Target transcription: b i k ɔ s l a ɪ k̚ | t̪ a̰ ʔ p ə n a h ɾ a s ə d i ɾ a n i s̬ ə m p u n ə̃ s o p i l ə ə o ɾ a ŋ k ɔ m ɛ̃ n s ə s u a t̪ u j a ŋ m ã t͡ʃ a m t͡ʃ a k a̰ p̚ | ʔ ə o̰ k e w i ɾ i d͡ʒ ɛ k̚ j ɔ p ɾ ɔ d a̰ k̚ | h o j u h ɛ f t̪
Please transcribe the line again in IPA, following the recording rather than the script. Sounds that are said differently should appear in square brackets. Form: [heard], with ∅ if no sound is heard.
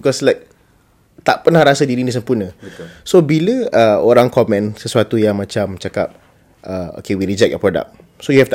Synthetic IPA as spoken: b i k ɔ s l a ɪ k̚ | t̪ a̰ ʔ p ə n a h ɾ a s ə d i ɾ [i] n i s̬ ə m p u n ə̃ s o [b] i l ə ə o ɾ a ŋ k ɔ m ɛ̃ n s ə s u a t̪ u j a ŋ m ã t͡ʃ a m t͡ʃ a k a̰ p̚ | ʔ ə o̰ k e w i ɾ i d͡ʒ ɛ k̚ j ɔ p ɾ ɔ d a̰ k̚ | [s] o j u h ɛ f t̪